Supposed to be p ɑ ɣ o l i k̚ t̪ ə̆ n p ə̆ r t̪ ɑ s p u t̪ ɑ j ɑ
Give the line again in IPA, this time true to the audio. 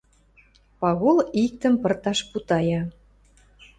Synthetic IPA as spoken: p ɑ ɣ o l i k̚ t̪ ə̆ m p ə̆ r t̪ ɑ ʃ p u t̪ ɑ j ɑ

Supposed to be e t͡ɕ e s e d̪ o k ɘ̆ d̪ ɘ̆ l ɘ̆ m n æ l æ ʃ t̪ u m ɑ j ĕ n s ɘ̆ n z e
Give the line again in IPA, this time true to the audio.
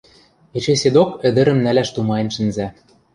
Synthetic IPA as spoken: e t͡ɕ e s e d̪ o k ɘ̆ d̪ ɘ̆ ɾ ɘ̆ m n æ l æ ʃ t̪ u m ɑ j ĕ n ʃ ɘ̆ n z æ

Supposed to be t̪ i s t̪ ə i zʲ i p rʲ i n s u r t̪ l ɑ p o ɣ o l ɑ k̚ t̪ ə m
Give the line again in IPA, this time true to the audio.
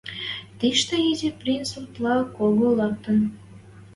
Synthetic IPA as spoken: t̪ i ʃ t̪ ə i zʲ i p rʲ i n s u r t̪ l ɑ k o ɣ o l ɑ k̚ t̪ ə n

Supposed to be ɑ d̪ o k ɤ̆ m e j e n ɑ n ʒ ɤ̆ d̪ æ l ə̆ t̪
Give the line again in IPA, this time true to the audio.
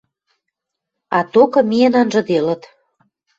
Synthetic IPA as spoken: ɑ t̪ o k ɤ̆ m i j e n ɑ n ʒ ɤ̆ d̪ e l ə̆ t̪

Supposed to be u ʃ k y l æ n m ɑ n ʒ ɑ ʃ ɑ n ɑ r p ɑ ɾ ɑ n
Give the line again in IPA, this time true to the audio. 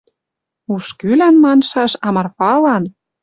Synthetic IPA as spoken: u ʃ k y l æ n m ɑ n ʃ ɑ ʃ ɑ m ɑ r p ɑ l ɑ n

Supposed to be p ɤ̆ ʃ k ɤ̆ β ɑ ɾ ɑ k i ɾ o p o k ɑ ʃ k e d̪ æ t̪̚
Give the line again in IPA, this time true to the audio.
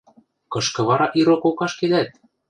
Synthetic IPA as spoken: k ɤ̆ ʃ k ɤ̆ β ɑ ɾ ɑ ʔ i ɾ o k o k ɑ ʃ k e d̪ æ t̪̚

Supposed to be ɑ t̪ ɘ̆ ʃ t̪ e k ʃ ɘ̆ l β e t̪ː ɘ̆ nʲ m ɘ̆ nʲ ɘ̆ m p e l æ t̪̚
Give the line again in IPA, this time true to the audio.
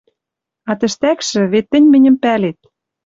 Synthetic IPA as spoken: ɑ t̪ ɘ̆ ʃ t̪ æ k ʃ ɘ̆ β e t̪ː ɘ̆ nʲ m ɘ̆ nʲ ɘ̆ m p æ l e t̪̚

